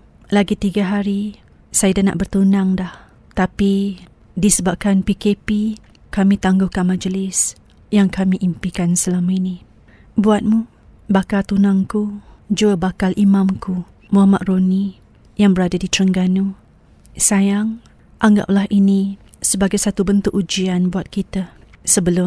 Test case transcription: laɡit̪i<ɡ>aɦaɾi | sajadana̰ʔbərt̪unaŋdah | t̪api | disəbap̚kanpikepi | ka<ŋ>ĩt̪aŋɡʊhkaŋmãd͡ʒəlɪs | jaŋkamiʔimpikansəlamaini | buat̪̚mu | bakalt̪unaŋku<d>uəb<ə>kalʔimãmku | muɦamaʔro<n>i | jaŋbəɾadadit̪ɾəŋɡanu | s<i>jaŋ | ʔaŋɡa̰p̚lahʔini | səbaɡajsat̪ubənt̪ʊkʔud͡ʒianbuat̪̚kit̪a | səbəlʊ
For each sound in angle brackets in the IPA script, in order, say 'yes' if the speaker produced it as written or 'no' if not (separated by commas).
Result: yes, no, no, no, yes, no